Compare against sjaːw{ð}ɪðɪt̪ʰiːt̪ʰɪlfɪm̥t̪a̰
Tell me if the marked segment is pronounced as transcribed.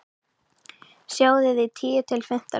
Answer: yes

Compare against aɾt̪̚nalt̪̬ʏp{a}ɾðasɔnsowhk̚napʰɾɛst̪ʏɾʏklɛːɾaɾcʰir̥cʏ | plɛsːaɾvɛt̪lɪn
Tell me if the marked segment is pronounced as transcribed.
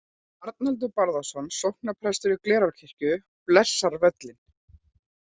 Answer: yes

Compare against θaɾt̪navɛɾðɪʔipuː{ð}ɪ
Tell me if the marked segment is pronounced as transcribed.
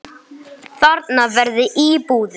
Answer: yes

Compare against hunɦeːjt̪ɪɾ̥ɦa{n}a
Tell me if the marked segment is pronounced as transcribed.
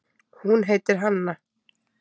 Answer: no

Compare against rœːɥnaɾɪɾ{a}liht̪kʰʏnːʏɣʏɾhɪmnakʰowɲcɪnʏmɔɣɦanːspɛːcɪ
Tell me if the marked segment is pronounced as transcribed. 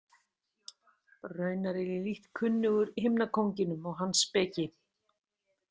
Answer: no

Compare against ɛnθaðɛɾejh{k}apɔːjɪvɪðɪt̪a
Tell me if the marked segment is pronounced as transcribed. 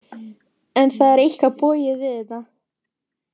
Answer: yes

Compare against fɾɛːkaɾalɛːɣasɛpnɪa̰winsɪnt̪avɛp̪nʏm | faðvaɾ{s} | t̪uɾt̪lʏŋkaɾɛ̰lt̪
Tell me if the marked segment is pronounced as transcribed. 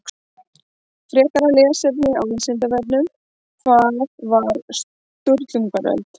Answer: yes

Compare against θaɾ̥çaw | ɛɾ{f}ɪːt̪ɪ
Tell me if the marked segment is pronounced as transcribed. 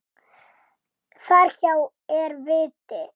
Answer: no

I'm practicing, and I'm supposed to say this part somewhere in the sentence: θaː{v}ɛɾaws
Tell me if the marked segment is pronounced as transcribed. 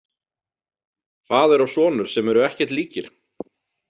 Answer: no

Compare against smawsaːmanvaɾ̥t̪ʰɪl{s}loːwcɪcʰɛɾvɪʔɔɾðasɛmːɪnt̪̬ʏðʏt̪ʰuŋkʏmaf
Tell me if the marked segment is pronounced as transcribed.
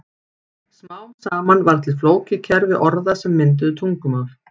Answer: no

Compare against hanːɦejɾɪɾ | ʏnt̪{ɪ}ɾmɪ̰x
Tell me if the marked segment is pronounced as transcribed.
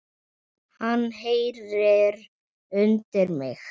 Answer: yes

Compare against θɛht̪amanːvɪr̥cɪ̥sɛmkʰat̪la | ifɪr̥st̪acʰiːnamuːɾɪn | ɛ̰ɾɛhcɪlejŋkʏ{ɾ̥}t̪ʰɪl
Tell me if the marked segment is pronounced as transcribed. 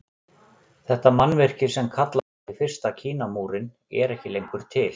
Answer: yes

